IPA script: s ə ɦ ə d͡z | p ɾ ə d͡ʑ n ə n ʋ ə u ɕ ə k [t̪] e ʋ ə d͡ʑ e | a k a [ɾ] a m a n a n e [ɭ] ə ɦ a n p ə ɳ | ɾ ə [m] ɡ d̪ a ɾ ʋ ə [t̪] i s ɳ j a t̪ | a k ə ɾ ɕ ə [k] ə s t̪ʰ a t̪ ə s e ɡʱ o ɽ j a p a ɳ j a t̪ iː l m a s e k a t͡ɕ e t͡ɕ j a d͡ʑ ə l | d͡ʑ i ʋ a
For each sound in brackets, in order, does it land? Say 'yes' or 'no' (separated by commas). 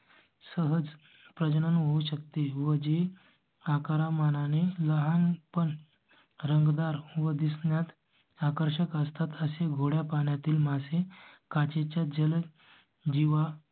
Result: yes, yes, no, no, no, yes